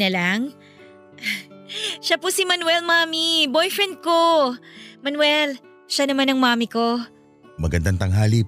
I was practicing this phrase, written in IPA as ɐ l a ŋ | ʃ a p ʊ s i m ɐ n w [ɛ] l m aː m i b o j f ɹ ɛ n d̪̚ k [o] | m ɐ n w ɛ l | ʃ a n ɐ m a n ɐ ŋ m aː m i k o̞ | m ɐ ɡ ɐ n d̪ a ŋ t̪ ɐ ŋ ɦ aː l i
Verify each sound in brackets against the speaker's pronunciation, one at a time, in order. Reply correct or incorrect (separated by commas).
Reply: correct, correct